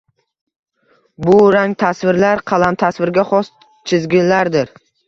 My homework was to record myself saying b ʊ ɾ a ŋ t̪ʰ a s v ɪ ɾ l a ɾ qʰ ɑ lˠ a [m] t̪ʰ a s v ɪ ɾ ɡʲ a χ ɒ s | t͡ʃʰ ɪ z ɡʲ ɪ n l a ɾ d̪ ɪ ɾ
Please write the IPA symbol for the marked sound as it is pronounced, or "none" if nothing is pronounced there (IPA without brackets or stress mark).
m